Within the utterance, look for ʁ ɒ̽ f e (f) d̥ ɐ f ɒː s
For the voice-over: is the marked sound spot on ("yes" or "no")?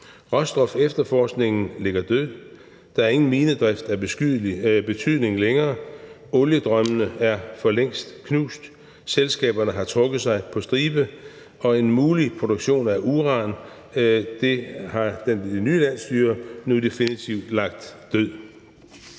yes